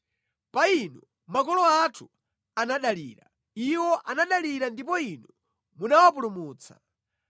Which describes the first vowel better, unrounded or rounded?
unrounded